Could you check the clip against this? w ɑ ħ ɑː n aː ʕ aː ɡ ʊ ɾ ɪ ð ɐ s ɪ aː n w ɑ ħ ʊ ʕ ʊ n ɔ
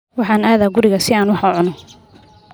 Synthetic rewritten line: w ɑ ħ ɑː n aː ð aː ɡ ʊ ɾ ɪ ɣ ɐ s ɪ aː n w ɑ ħ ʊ ʕ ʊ n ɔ